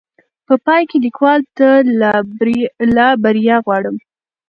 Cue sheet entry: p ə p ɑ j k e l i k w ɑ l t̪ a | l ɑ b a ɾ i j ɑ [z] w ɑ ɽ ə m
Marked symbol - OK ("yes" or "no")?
no